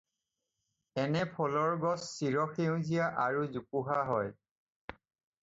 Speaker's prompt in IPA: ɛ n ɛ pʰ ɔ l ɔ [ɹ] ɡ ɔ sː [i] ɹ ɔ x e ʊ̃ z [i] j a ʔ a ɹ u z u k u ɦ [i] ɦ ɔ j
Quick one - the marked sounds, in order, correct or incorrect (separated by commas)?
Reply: correct, correct, correct, incorrect